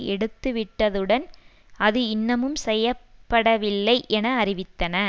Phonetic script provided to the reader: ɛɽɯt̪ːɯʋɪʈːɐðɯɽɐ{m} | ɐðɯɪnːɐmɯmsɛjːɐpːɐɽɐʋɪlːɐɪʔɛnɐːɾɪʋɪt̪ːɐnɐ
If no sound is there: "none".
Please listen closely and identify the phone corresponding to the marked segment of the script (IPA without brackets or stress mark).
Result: n